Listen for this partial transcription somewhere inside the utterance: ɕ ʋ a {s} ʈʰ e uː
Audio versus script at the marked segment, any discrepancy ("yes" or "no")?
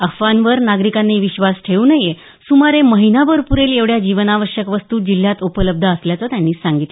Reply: no